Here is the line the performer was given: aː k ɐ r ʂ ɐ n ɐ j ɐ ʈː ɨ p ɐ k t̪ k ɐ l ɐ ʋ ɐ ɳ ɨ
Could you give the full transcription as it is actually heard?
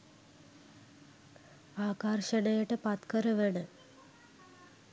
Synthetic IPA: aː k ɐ r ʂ ɐ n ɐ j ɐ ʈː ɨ p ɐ t̪ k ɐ ɾ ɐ ʋ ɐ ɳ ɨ

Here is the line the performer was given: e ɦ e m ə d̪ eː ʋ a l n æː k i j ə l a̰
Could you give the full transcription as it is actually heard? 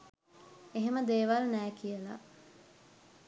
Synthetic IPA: e ɦ e m ə d̪ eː ʋ a l n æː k i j ə l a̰

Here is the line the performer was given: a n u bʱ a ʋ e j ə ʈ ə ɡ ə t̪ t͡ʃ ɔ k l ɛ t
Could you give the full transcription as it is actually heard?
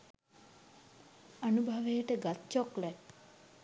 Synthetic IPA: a n u bʱ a ʋ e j ə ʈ ə ɡ a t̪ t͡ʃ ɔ k l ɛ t

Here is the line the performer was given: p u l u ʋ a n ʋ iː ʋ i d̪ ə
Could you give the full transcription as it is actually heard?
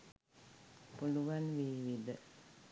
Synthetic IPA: p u l u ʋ a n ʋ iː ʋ i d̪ ə

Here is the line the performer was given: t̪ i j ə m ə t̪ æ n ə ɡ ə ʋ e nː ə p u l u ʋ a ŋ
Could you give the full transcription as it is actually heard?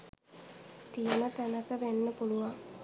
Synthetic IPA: t̪ i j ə m ə t̪ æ n ə k ə ʋ e nː ə p u l u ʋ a ŋ

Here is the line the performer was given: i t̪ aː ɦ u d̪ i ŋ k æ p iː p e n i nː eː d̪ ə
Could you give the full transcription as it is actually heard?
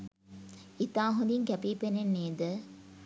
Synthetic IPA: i t̪ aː ɦ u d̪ i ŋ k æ p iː p e n e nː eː d̪ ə

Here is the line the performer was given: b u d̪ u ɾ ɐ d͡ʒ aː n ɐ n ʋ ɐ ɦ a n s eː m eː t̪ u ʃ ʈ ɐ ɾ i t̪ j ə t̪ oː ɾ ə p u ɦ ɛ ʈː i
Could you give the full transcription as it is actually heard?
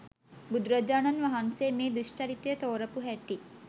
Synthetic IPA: b u d̪ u ɾ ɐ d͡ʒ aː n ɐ n ʋ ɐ ɦ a n s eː m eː d̪ u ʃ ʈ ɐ ɾ i t̪ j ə t̪ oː ɾ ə p u ɦ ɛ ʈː i

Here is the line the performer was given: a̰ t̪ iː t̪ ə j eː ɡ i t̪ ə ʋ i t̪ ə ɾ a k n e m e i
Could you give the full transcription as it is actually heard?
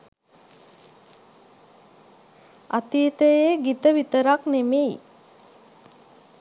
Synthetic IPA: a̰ t̪ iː t̪ ə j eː ɡ i t̪ ə ʋ i t̪ ə ɾ a k n e m e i

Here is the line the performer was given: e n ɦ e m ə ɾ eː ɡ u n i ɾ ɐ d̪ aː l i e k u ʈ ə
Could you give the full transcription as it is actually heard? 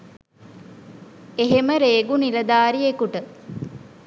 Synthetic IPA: e ɦ e m ə ɾ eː ɡ u n i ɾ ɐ d̪ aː ɾ i e k u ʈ ə

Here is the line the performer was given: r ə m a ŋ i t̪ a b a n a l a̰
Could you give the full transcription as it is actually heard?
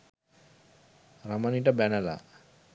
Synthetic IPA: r a m a n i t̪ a b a n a l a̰

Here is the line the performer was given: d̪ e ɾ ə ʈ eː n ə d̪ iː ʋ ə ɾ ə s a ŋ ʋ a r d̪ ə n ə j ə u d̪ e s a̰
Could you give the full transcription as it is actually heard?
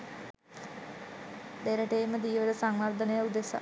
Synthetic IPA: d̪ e ɾ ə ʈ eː m ə d̪ iː ʋ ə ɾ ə s a ŋ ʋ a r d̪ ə n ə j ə u d̪ e s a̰

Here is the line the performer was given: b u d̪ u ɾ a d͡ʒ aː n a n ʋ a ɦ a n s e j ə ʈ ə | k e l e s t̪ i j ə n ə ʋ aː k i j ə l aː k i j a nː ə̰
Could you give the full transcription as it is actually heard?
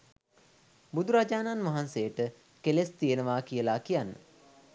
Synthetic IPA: b u d̪ u ɾ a d͡ʒ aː n a n ʋ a ɦ a n s e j ə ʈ ə | k e l e s t̪ i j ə n ə ʋ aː k i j ə l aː k i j a nː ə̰

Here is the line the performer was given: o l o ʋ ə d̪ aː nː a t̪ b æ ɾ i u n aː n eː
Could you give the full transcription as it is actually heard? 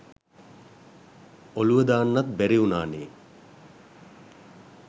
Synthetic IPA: o l u ʋ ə d̪ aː nː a t̪ b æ ɾ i u n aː n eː

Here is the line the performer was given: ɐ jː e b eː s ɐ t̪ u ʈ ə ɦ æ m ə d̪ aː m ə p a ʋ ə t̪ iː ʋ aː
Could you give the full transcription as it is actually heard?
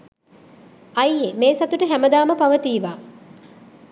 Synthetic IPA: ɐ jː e m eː s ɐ t̪ u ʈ ə ɦ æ m ə d̪ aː m ə p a ʋ ə t̪ iː ʋ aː

